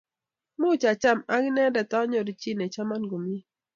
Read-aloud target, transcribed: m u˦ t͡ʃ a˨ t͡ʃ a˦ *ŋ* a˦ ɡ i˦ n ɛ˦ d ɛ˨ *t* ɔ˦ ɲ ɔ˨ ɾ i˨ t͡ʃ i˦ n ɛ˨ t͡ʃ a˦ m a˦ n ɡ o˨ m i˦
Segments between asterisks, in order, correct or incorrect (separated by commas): incorrect, correct